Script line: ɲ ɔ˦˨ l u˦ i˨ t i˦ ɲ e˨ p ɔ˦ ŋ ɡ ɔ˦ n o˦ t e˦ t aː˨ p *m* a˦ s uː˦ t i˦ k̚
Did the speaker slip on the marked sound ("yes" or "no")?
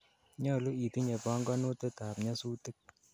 yes